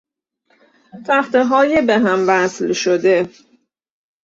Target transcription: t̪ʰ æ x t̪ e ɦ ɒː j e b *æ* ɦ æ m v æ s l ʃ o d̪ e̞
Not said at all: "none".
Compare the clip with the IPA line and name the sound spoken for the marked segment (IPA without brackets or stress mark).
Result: e